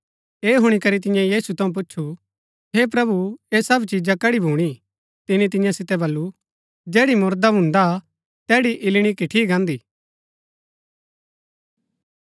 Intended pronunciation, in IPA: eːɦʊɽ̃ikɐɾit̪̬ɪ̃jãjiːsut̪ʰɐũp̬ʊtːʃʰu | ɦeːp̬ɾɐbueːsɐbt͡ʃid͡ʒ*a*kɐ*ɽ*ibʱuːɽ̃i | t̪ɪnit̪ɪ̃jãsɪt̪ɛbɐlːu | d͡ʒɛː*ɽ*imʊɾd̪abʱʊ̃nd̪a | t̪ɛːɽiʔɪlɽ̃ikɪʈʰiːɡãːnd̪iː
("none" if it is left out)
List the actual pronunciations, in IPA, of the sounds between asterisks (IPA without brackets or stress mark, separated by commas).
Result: a, ɽ, ɽ